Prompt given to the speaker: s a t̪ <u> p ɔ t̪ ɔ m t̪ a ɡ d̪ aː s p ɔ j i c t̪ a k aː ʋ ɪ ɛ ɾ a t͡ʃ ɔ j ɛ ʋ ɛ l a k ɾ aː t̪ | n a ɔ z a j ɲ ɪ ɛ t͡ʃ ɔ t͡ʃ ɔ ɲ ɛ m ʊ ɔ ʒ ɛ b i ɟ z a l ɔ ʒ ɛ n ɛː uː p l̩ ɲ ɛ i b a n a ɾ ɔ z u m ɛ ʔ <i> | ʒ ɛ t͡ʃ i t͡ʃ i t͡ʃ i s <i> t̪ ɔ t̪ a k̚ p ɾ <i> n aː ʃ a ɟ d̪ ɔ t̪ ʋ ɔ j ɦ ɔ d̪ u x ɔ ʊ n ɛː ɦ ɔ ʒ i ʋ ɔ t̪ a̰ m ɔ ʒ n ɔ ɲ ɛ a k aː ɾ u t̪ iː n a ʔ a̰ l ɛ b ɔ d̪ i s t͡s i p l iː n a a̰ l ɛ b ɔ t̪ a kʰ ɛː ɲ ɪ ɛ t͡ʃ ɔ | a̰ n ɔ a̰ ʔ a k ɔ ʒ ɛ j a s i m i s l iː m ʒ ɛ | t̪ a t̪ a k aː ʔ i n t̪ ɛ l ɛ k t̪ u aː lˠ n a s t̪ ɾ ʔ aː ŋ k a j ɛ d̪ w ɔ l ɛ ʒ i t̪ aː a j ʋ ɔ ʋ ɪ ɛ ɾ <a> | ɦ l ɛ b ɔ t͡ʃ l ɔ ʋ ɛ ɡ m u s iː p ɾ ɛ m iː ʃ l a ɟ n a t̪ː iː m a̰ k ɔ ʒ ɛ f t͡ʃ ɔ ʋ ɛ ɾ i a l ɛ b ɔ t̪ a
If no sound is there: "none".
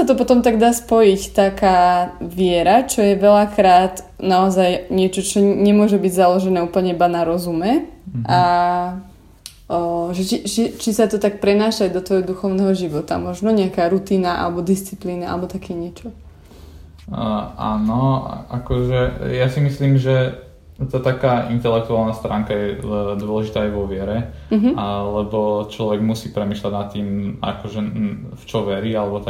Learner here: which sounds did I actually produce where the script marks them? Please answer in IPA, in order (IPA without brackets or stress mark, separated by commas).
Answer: ɔ, a, a, ɛ, ɛ